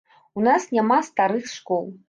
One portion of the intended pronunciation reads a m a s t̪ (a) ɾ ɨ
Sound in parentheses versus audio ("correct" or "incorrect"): correct